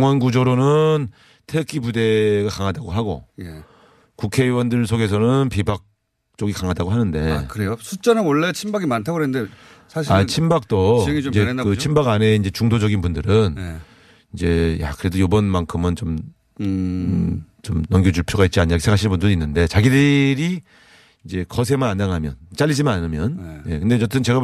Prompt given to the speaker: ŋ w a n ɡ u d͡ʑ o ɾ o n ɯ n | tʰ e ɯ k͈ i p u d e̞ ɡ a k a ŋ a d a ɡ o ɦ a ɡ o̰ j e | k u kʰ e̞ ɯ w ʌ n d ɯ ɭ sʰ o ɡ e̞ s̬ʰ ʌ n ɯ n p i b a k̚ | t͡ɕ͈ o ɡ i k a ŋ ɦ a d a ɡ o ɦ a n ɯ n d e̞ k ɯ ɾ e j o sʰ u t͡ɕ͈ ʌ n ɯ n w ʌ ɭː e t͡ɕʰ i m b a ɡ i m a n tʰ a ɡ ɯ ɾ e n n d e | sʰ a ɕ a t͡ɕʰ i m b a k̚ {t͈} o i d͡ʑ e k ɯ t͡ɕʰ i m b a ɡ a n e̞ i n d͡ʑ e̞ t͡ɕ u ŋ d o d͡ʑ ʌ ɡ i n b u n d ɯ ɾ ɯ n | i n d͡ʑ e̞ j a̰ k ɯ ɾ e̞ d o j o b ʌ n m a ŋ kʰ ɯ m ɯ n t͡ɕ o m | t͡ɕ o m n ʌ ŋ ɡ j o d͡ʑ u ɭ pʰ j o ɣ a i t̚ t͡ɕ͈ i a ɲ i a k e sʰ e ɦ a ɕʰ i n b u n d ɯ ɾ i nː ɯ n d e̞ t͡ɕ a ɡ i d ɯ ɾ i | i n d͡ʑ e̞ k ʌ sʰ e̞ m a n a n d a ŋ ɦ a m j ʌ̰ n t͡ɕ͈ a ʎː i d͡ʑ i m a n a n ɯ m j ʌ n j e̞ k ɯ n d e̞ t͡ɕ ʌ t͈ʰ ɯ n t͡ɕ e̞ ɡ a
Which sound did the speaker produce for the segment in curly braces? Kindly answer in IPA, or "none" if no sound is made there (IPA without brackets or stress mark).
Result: t͈